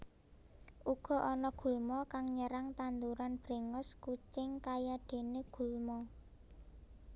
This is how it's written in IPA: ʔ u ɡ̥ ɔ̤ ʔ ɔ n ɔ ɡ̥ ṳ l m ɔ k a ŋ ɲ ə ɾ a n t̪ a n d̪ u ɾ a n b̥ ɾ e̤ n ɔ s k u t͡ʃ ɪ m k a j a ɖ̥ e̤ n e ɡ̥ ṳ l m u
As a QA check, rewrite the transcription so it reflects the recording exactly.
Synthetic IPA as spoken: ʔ u ɡ̥ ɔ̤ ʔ ɔ n ɔ ɡ̥ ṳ l m ɔ k a ŋ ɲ ə ɾ a ŋ t̪ a n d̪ u ɾ a n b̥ ɾ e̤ ŋ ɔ s k u t͡ʃ ɪ ŋ k a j a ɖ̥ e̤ n e ɡ̥ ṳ l m ɔ